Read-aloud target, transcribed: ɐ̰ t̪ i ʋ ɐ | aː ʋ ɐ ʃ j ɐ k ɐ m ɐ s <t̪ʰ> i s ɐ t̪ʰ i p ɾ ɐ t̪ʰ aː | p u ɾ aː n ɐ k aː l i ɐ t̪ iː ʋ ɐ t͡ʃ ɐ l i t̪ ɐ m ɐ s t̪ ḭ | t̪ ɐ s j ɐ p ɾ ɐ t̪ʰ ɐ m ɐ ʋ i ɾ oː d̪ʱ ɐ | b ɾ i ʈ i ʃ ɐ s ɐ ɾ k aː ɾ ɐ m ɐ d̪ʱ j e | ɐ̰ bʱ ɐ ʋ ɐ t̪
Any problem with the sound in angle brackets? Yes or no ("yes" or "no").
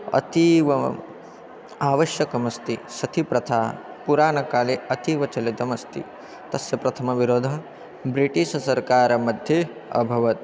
yes